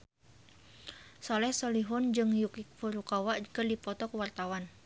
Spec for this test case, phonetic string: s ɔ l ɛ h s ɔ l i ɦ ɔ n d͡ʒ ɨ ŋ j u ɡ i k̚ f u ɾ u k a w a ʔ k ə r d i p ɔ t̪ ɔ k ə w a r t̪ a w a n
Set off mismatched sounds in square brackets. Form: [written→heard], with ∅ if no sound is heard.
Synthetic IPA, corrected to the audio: s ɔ l ɛ h s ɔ l i ɦ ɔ n d͡ʒ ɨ ŋ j u [ɡ→k] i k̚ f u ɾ u k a w a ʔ k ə r d i p ɔ t̪ ɔ k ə w a r t̪ a w a n